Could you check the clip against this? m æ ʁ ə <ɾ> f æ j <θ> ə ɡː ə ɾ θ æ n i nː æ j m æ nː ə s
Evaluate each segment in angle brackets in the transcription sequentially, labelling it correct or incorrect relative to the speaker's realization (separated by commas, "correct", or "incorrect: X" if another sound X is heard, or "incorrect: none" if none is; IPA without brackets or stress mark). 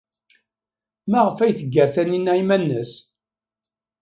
incorrect: none, correct